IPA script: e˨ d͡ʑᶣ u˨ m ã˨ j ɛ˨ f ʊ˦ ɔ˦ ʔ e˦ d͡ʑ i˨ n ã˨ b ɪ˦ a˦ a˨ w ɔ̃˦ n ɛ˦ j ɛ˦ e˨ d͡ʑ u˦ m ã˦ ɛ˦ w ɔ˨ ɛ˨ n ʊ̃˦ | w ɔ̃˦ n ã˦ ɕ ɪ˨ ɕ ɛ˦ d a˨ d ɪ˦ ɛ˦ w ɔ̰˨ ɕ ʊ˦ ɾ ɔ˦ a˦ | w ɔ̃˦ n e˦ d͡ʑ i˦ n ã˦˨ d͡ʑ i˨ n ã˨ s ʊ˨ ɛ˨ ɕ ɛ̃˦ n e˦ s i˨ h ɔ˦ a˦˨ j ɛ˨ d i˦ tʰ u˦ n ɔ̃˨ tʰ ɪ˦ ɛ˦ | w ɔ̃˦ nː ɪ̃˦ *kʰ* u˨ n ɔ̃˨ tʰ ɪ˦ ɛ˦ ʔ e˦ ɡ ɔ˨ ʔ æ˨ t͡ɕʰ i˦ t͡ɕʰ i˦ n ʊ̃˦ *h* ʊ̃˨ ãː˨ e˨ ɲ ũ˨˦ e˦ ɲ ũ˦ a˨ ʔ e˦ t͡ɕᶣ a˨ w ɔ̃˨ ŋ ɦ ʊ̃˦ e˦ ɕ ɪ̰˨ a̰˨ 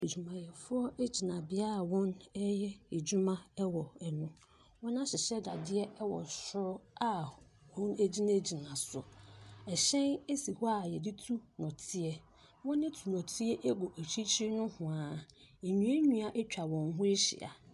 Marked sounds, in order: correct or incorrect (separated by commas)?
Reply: incorrect, correct